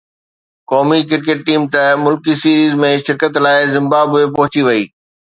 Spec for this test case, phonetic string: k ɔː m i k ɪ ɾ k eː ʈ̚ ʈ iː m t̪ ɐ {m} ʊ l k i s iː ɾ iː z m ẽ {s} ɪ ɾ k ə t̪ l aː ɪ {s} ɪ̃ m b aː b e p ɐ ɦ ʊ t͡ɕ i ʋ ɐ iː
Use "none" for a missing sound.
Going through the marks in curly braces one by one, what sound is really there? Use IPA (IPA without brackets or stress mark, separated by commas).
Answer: m, ʃ, z